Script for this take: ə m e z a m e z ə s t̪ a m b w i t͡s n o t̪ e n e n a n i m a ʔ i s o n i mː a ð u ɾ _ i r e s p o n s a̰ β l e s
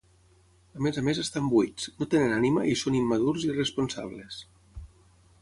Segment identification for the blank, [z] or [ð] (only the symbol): z